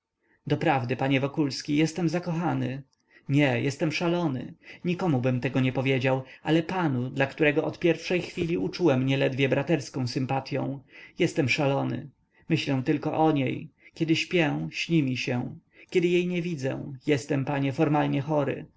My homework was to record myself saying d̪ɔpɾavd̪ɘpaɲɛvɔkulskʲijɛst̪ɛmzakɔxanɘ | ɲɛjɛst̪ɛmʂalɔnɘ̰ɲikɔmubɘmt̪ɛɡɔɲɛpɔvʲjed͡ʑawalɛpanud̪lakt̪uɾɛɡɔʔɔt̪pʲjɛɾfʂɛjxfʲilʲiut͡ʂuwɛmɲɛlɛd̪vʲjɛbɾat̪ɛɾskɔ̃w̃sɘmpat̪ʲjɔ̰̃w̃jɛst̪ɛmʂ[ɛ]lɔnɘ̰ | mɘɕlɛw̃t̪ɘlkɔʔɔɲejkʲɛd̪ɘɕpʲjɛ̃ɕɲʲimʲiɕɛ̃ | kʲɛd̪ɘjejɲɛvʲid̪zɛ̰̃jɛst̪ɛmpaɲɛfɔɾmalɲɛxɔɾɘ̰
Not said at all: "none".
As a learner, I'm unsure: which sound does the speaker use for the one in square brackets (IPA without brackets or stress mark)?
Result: a